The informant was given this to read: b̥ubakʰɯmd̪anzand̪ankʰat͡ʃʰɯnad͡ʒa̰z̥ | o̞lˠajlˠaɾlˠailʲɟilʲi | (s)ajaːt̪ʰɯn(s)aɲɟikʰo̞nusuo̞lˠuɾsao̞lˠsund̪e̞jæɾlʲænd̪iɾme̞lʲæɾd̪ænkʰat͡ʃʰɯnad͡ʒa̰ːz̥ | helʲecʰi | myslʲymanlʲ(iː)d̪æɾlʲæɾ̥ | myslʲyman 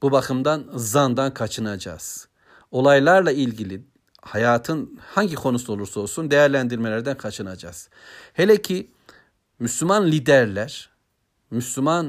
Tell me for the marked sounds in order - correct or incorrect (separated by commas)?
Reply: incorrect, incorrect, incorrect